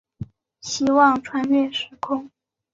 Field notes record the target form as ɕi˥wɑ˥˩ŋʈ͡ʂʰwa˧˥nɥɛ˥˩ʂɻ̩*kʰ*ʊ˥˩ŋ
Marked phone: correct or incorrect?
correct